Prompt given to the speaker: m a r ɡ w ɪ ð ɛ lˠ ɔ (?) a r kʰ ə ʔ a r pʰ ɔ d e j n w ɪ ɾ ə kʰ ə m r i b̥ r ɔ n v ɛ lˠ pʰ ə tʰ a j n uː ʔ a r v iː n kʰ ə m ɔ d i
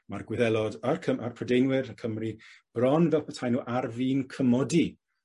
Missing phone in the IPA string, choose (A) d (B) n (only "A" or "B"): A